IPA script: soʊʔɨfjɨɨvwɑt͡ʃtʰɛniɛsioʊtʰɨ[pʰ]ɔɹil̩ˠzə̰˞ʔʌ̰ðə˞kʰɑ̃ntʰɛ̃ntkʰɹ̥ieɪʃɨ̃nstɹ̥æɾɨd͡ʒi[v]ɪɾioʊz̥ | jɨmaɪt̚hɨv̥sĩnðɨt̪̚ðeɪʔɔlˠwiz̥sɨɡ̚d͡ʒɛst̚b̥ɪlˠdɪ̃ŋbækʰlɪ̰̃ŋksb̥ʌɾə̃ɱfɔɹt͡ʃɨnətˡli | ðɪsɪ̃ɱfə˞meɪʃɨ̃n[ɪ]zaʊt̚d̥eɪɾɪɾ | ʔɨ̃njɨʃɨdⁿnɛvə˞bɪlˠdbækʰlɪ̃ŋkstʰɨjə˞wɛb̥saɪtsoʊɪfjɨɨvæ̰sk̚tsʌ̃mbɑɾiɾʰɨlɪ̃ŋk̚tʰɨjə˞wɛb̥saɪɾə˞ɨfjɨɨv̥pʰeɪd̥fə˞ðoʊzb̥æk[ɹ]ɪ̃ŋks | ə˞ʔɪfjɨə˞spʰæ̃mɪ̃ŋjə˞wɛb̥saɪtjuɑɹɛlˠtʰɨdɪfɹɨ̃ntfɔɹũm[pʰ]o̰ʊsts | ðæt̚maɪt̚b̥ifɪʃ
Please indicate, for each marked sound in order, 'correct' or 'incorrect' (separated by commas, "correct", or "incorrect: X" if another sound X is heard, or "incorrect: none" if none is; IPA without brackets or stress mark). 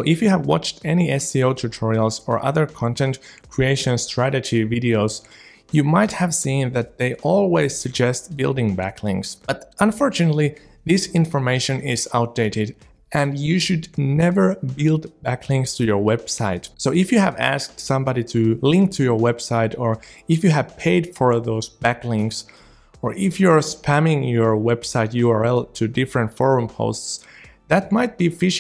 incorrect: tʰ, correct, correct, incorrect: l, correct